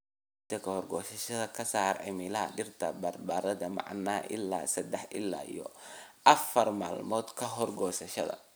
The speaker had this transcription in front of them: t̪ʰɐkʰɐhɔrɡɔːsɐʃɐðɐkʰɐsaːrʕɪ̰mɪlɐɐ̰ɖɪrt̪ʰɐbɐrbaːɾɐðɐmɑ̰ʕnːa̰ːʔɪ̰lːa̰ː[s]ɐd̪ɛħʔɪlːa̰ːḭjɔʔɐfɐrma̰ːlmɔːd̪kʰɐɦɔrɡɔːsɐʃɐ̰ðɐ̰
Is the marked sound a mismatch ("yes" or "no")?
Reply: no